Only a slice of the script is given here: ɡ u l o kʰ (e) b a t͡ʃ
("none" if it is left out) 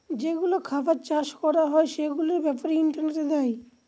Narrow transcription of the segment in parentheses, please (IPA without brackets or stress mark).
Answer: a